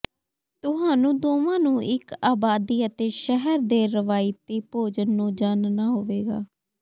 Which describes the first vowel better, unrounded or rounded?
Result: rounded